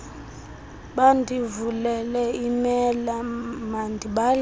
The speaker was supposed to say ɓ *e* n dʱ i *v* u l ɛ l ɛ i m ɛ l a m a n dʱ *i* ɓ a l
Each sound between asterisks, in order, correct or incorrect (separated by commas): incorrect, correct, correct